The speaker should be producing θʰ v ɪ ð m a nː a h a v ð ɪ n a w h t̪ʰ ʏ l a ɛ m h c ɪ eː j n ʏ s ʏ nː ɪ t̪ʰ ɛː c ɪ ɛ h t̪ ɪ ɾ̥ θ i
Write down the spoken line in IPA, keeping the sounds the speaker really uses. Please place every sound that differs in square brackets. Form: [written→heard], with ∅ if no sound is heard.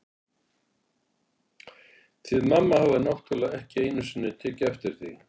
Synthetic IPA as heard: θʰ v ɪ ð m a [nː→mː] a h a v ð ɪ n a w h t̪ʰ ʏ l a ɛ [m→∅] h c ɪ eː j n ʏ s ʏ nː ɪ t̪ʰ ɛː c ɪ ɛ [h→f] t̪ ɪ ɾ̥ θ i